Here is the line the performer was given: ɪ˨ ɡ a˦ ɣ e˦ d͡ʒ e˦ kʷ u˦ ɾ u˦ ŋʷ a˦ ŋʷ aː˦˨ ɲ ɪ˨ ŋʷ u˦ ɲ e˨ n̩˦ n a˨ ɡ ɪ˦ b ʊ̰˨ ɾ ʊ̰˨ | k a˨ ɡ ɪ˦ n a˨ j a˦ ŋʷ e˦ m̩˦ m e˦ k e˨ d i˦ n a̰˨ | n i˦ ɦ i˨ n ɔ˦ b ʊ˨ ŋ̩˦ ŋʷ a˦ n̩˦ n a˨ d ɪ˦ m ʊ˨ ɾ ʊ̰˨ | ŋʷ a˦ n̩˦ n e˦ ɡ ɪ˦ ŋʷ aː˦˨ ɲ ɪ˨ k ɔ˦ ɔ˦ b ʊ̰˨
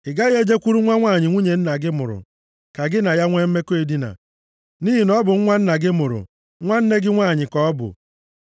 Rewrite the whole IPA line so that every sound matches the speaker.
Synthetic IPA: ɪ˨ ɡ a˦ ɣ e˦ d͡ʒ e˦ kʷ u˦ ɾ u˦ ŋʷ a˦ ŋʷ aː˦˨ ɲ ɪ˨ ŋʷ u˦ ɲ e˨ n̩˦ n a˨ ɡ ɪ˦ m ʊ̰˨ ɾ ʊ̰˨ | k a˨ ɡ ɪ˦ n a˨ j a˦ ŋʷ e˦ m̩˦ m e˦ k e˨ d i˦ n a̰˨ | n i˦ ɦ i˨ n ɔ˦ b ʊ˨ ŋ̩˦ ŋʷ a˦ n̩˦ n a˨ ɡ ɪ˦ m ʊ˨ ɾ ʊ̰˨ | ŋʷ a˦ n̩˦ n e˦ ɡ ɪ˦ ŋʷ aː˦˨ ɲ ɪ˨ k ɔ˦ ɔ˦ b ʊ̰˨